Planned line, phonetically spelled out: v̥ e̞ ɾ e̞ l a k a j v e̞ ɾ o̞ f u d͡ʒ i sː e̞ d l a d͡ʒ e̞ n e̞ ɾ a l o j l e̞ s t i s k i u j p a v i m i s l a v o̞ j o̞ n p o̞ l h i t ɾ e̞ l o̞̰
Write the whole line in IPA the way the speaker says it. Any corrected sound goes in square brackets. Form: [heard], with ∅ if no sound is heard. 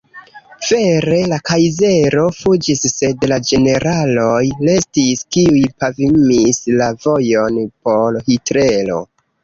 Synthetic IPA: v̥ e̞ ɾ e̞ l a k a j [z] e̞ ɾ o̞ f u d͡ʒ i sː e̞ d l a d͡ʒ e̞ n e̞ ɾ a l o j l e̞ s t i s k i u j p a v i m i s l a v o̞ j o̞ n p o̞ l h i t ɾ e̞ l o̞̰